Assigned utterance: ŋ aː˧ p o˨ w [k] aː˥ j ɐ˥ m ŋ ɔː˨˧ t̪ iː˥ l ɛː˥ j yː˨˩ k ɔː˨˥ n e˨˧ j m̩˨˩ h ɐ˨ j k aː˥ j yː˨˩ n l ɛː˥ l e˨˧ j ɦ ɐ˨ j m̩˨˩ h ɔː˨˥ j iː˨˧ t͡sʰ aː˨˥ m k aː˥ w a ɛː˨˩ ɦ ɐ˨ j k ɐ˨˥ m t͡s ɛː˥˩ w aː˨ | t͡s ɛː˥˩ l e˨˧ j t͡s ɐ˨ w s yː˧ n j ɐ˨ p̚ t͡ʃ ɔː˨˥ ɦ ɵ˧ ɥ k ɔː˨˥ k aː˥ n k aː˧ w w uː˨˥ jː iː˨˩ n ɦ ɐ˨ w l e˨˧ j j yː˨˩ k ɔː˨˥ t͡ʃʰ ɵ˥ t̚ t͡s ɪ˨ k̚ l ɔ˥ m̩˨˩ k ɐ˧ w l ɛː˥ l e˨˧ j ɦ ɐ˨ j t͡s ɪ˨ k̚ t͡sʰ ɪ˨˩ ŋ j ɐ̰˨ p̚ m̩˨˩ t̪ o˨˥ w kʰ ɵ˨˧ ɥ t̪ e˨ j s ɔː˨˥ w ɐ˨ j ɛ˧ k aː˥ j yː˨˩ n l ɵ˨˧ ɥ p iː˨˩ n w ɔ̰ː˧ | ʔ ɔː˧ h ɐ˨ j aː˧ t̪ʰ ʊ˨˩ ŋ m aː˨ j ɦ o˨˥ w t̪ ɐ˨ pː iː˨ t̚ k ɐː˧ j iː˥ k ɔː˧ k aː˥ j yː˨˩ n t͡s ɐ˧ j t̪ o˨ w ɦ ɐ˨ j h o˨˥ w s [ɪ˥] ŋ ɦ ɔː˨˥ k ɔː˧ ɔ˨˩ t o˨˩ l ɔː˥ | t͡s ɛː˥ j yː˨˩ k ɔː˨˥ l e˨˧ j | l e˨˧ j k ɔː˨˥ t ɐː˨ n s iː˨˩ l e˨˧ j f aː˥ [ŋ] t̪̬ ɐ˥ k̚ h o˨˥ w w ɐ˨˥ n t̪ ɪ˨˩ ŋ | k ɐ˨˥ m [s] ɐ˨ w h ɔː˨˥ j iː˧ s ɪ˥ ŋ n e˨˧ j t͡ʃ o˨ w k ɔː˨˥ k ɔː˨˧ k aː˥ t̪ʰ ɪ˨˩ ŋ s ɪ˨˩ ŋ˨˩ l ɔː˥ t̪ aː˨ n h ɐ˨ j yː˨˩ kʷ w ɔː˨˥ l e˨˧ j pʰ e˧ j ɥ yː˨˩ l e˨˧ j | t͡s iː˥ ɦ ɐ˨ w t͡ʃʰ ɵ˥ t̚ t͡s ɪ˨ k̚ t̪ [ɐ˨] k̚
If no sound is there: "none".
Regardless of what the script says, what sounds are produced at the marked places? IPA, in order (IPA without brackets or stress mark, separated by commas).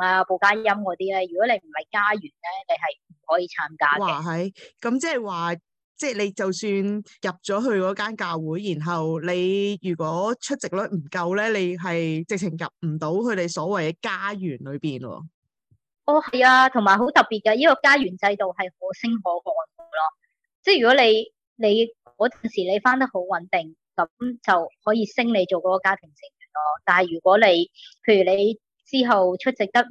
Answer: k, ɪ˥, n, t͡s, ɐ˥